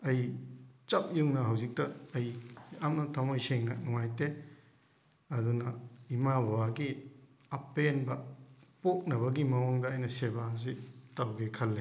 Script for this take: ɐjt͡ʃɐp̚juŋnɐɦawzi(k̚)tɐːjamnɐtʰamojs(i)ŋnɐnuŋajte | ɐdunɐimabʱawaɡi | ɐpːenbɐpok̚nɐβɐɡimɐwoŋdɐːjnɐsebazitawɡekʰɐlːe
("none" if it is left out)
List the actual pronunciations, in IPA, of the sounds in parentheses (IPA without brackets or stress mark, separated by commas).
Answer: k̚, e